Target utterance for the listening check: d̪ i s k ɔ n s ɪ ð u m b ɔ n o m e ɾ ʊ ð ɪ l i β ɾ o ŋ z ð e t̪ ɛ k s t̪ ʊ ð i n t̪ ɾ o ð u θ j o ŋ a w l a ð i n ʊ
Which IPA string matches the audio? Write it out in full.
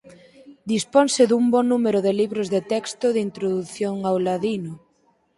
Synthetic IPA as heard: d̪ i s p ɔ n s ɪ ð u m b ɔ n u m e ɾ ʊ ð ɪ l i β ɾ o z ð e t̪ ɛ k s t̪ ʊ ð i n t̪ ɾ o ð u θ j o ŋ a w l a ð i n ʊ